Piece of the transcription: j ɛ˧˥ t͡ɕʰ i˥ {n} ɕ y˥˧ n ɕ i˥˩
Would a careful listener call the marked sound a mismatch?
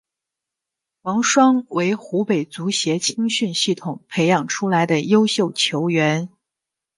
yes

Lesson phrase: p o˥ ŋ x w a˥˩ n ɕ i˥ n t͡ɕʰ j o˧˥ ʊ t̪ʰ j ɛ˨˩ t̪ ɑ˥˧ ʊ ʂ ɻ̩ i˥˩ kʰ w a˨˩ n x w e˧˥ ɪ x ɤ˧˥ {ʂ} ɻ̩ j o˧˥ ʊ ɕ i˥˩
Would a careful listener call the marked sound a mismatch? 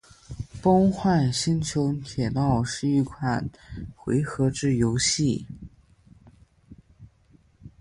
yes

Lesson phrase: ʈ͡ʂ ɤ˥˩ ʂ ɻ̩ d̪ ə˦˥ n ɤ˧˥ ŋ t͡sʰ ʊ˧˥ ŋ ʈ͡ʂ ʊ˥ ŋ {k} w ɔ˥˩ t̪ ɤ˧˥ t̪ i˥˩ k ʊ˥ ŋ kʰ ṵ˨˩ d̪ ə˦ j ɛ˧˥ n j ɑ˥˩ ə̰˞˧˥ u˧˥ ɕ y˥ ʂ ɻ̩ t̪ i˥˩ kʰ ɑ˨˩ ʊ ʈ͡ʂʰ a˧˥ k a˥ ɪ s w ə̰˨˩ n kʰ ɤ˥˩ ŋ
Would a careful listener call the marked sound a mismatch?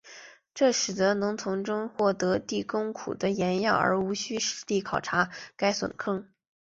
yes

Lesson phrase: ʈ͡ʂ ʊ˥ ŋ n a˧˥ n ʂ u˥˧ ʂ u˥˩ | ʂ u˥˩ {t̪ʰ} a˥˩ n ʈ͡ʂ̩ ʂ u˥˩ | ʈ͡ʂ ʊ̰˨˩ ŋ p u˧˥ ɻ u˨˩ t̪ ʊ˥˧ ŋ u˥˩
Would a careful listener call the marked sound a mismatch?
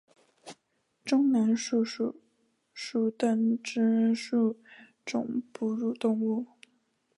yes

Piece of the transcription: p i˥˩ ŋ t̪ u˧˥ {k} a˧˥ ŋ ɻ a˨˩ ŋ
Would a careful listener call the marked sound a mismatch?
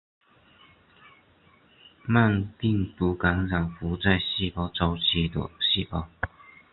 no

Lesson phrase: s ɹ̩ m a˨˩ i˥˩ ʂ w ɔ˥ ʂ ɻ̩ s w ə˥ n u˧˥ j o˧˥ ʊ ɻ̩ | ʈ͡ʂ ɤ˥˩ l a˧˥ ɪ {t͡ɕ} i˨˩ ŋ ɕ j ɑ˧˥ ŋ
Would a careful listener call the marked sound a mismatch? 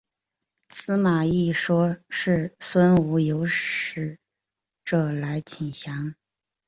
yes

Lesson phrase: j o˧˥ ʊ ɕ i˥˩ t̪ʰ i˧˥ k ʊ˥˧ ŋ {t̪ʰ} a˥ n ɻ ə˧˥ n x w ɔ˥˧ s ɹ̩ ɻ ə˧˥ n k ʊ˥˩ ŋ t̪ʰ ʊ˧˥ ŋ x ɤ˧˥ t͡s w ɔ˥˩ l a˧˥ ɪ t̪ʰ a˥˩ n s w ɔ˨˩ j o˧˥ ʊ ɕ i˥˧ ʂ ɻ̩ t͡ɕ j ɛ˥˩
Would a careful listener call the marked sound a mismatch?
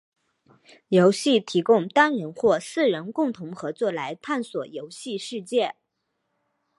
yes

